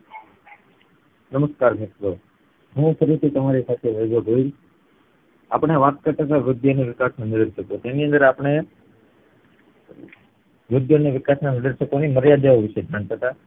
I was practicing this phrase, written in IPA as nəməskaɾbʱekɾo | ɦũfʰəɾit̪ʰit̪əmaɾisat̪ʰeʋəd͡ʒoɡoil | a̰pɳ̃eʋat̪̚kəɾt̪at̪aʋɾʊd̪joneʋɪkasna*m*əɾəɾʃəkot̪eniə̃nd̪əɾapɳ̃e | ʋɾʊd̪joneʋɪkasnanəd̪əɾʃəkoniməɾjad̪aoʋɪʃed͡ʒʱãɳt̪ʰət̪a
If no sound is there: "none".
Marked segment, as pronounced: n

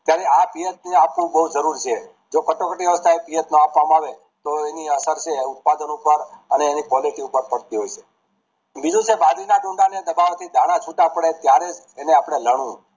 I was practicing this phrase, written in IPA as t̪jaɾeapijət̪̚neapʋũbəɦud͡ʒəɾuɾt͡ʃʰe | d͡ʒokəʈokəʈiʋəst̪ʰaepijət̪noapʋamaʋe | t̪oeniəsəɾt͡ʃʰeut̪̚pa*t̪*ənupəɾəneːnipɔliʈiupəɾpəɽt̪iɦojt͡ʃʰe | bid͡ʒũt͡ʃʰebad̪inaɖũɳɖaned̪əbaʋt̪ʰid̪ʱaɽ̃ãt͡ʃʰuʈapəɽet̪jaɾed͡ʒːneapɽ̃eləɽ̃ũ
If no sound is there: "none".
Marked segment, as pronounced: d̪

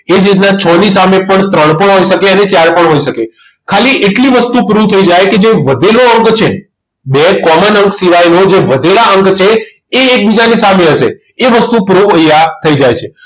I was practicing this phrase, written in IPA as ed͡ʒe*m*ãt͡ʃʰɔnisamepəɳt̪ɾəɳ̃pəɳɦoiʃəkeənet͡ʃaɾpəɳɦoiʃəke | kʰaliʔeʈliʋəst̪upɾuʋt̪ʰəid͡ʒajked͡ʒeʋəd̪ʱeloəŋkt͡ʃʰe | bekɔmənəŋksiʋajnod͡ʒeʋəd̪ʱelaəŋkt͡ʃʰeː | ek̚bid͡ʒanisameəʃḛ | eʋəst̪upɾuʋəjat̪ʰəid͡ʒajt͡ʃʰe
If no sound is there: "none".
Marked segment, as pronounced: n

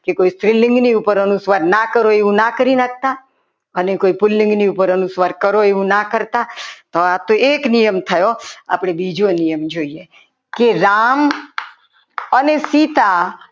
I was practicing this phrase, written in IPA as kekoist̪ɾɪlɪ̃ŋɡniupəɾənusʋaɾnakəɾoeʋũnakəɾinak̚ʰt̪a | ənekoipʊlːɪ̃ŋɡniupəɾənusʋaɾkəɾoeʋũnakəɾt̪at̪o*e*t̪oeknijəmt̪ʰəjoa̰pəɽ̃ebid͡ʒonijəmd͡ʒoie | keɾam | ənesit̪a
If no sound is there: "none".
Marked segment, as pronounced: a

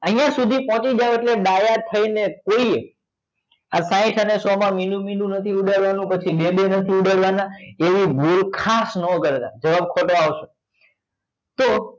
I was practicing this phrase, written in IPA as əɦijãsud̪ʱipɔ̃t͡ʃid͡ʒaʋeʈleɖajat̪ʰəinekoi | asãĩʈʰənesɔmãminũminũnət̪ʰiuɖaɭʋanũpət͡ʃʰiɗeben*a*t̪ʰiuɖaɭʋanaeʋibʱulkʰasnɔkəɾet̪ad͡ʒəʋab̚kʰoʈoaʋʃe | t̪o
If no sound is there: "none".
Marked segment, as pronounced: ə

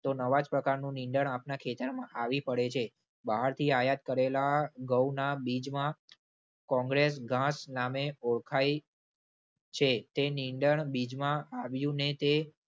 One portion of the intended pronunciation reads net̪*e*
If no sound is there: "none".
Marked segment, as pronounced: e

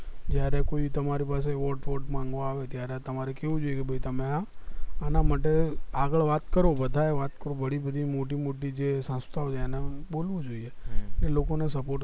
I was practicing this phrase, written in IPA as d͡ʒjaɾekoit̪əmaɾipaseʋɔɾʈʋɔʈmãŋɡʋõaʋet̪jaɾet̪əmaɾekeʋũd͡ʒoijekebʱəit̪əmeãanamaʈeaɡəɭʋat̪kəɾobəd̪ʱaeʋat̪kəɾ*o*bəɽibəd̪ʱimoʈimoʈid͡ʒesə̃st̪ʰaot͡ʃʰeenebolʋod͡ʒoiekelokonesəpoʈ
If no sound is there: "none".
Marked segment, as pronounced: o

